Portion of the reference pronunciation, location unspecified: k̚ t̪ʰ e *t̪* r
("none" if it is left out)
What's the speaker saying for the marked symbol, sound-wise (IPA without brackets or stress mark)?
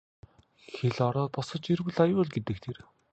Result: none